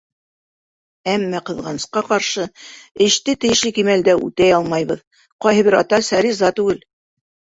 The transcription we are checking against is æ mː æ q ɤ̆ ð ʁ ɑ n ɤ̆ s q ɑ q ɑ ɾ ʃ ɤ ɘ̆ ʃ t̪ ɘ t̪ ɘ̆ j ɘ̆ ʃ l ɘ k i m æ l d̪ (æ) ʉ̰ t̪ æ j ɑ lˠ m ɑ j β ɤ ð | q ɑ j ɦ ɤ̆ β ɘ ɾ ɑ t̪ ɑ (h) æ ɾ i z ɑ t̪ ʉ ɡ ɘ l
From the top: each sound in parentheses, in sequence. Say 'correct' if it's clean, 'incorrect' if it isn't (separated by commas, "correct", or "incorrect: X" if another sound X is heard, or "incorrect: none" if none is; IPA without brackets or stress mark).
correct, incorrect: s